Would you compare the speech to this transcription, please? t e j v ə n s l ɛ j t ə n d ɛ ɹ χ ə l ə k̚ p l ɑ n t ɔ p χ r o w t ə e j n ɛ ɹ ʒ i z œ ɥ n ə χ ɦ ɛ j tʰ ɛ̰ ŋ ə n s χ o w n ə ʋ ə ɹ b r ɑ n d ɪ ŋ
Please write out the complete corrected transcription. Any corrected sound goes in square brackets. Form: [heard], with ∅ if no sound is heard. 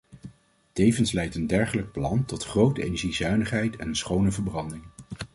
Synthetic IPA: t e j v ə n s l ɛ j t ə n d ɛ ɹ χ ə l ə k̚ p l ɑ n t ɔ [t] χ r o w t ə e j n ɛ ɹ ʒ i z œ ɥ n ə χ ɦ ɛ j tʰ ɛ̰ [n] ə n s χ o w n ə [v] ə ɹ b r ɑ n d ɪ ŋ

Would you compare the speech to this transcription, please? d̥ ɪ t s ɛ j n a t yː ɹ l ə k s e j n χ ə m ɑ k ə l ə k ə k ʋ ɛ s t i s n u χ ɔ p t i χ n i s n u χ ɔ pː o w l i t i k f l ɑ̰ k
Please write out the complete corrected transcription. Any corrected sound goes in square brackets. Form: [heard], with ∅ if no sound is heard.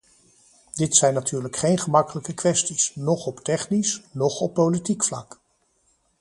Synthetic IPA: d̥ ɪ t s ɛ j n a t yː ɹ l ə k [χ] e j n χ ə m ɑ k ə l ə k ə k ʋ ɛ s t i s n [ɔ] χ ɔ p t [ɛ] χ n i s n [ɔ] χ ɔ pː o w l i t i k f l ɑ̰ k

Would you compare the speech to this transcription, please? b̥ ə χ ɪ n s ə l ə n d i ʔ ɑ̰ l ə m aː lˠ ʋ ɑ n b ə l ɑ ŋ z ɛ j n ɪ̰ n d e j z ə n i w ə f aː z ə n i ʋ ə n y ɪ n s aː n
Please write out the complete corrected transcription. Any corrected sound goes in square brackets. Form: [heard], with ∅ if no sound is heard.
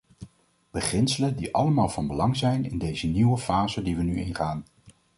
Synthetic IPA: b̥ ə χ ɪ n s ə l ə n d i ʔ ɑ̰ l ə m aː lˠ [v] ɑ n b ə l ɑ ŋ z ɛ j n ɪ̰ n d e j z ə n i w ə f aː z ə [d] i ʋ ə n y ɪ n [χ] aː n

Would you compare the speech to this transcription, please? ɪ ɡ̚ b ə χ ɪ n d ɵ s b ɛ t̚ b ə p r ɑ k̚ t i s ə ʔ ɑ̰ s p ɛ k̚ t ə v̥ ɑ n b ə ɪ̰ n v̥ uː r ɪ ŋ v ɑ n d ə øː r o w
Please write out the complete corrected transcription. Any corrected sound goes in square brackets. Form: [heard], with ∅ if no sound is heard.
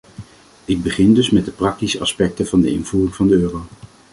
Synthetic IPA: ɪ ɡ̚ b ə χ ɪ n d ɵ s [m] ɛ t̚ [d] ə p r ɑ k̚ t i s ə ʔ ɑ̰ s p ɛ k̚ t ə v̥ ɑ n [d] ə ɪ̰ n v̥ uː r ɪ ŋ v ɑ n d ə øː r o w

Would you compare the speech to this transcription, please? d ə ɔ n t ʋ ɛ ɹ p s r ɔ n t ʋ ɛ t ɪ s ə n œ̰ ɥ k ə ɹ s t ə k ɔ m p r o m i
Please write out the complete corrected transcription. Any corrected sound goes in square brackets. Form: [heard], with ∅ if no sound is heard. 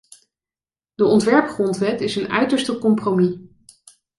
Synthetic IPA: d ə ɔ n t ʋ ɛ ɹ p [χ] r ɔ n t ʋ ɛ t ɪ s ə n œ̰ ɥ [t] ə ɹ s t ə k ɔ m p r o m i

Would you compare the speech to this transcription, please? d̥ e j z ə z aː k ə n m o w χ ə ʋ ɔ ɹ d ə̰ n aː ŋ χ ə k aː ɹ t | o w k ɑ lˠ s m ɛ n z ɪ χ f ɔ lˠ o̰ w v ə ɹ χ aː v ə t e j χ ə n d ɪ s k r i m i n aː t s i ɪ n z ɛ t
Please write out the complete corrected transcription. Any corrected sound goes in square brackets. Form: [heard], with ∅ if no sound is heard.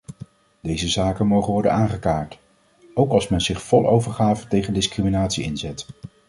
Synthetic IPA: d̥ e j z ə z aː k ə n m o w χ ə ʋ ɔ ɹ d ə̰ n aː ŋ χ ə k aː ɹ t | o w k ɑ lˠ s m ɛ n z ɪ χ f ɔ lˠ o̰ w v ə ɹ χ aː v ə t e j χ ə n d ɪ s k r i m i n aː t s i ɪ n z ɛ t

